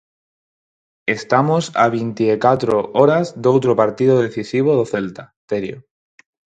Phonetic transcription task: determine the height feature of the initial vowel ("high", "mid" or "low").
mid